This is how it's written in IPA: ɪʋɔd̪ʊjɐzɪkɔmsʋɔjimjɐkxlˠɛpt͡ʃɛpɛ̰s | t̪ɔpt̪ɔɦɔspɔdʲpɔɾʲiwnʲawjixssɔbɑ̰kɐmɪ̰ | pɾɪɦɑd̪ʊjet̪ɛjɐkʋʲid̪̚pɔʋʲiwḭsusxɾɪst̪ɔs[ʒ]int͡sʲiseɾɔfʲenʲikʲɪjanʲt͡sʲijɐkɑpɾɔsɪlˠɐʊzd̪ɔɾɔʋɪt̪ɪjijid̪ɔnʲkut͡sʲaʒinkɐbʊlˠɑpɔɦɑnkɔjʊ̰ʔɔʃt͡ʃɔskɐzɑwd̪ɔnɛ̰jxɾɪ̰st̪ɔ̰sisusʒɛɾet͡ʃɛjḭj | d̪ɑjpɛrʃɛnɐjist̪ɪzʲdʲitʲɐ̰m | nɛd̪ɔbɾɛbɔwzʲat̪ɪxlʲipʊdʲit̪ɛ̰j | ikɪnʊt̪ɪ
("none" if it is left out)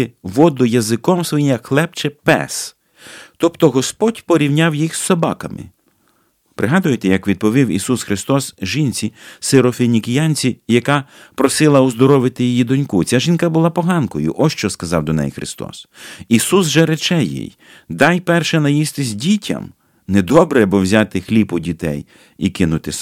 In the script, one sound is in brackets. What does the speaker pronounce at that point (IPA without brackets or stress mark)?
ʒ